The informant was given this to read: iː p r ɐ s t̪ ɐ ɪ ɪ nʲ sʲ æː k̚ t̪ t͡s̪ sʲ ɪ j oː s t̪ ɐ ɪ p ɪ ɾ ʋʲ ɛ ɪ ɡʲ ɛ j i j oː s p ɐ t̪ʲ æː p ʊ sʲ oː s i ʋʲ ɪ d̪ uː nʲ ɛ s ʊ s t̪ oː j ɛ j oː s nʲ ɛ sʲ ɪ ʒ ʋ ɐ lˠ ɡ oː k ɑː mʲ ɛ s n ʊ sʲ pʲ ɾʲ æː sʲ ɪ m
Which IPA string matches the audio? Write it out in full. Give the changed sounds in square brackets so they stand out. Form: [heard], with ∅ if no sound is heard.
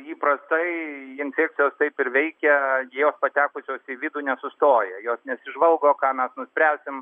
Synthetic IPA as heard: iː p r ɐ s t̪ ɐ ɪ ɪ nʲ [fʲ] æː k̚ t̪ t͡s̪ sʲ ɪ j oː s t̪ ɐ ɪ p ɪ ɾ ʋʲ ɛ ɪ [kʲ] ɛ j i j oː s p ɐ t̪ʲ æː [k] ʊ sʲ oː s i ʋʲ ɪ d̪ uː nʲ ɛ s ʊ s t̪ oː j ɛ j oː s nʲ ɛ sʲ ɪ ʒ ʋ ɐ lˠ ɡ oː k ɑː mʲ ɛ s n ʊ sʲ pʲ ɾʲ æː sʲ ɪ m